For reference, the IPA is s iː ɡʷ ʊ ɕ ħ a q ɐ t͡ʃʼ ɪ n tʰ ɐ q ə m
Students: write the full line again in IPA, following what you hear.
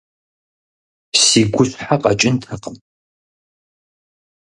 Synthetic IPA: s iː ɡʷ ʊ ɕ ħ a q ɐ t͡ʃʼ ɪ n tʰ ɐ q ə m